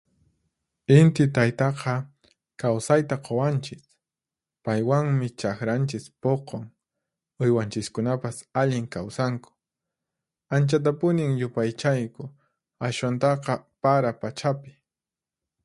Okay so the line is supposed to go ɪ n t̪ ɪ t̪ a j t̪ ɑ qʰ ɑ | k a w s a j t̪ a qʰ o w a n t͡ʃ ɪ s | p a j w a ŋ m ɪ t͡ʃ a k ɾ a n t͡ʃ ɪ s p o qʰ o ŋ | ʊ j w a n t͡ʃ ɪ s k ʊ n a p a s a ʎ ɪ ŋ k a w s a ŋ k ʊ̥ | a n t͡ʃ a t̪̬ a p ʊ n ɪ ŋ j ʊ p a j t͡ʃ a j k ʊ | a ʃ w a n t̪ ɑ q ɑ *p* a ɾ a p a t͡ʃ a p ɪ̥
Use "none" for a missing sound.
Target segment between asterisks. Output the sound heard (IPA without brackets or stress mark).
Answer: p